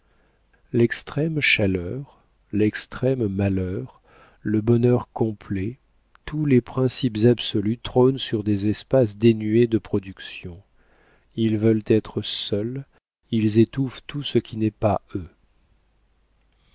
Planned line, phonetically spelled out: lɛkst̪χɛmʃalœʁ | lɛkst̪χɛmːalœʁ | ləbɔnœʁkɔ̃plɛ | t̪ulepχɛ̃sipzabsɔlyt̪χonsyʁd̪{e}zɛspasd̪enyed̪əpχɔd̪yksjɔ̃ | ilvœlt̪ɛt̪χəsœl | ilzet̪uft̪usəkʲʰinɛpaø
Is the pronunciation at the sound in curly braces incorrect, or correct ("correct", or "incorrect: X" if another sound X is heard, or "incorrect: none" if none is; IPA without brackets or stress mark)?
correct